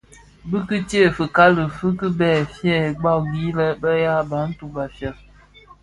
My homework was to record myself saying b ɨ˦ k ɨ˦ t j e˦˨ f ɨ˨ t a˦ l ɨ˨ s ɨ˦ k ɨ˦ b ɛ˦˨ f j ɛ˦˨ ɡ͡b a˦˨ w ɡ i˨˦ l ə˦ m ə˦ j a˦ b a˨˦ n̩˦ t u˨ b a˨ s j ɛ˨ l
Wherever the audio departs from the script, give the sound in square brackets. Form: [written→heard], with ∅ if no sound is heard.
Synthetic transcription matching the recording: b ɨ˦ k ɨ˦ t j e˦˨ f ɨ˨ [t→k] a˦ l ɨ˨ [s→f] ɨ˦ k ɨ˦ b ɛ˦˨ f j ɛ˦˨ ɡ͡b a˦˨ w ɡ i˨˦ l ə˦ [m→b] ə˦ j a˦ b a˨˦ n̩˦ t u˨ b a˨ [s→f] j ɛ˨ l